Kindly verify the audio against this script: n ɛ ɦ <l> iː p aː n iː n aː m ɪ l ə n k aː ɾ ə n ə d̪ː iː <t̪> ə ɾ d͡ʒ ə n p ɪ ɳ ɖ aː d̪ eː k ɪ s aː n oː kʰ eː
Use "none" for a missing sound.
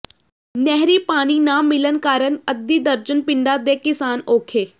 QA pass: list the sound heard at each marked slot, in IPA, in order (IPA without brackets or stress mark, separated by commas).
ɾ, d̪